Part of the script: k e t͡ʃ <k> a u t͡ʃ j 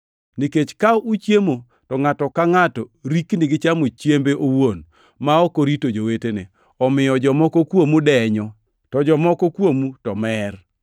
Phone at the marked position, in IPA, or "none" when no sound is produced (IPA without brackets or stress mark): k